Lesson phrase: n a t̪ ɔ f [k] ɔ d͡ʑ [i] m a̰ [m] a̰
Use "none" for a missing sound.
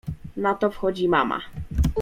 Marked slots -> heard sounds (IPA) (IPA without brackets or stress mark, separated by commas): x, i, m